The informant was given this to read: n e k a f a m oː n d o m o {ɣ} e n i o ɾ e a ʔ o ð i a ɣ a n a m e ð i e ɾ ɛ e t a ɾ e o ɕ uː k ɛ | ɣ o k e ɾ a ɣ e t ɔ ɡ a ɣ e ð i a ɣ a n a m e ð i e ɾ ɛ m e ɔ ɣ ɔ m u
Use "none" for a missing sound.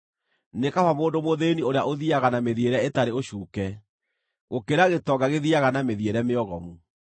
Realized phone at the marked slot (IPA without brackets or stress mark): ð